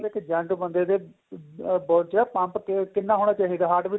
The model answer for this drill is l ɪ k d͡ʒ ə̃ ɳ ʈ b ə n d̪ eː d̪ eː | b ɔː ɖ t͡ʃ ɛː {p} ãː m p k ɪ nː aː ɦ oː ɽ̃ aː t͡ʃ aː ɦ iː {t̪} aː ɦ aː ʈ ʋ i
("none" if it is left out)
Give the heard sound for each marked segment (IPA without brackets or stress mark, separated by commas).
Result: p, d̪